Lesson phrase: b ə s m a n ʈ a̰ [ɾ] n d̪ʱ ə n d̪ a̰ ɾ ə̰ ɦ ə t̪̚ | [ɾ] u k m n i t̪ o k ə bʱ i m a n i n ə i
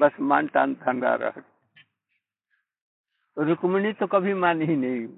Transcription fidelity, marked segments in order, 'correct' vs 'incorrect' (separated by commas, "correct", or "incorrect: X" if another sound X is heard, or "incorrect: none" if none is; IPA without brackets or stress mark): incorrect: none, correct